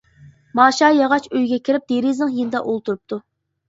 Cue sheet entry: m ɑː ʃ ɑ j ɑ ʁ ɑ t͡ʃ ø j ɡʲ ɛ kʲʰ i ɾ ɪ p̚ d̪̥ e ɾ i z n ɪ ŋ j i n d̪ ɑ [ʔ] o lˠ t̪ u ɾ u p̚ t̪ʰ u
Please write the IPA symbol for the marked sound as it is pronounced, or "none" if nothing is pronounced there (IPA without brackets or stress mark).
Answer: ʔ